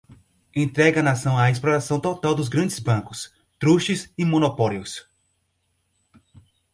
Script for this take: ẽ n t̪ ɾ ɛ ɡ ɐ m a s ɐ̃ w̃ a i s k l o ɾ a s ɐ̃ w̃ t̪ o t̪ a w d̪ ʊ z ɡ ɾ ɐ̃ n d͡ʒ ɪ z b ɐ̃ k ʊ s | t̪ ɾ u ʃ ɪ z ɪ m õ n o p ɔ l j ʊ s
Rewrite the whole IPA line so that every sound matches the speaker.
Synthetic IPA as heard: ẽ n t̪ ɾ ɛ ɡ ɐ n a s ɐ̃ w̃ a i s p l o ɾ a s ɐ̃ w̃ t̪ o t̪ a w d̪ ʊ z ɡ ɾ ɐ̃ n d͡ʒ ɪ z b ɐ̃ k ʊ s | t̪ ɾ u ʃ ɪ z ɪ m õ n o p ɔ l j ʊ s